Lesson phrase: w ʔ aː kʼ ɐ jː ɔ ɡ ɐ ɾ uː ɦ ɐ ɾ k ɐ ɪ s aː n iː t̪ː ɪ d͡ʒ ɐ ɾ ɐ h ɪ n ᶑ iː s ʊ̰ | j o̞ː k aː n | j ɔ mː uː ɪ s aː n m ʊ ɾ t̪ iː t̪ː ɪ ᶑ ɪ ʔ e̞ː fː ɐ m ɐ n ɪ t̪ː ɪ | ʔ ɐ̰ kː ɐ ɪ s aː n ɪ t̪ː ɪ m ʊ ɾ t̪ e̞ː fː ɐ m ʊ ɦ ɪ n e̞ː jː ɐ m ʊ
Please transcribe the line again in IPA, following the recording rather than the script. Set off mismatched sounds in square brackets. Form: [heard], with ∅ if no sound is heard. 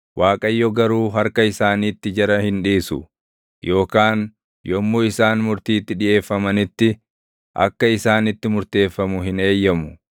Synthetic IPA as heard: w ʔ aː kʼ ɐ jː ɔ ɡ ɐ ɾ uː ɦ ɐ ɾ k ɐ ɪ s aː n iː t̪ː ɪ d͡ʒ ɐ ɾ ɐ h ɪ n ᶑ iː s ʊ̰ | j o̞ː k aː n | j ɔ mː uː ɪ s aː n m ʊ ɾ t̪ iː t̪ː ɪ ᶑ ɪ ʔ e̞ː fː ɐ m ɐ n ɪ t̪ː ɪ | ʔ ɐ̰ kː ɐ ɪ s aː n ɪ t̪ː ɪ m ʊ ɾ t̪ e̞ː fː ɐ m ʊ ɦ ɪ n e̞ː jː ɐ m ʊ